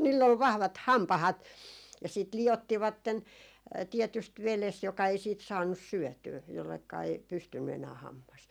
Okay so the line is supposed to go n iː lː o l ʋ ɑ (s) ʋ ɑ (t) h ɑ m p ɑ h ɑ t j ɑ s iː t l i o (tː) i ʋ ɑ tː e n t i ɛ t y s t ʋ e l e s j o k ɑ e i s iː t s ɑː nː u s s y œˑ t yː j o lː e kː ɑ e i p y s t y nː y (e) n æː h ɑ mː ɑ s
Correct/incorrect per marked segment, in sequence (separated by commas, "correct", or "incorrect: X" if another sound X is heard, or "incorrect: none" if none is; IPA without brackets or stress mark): incorrect: h, correct, correct, correct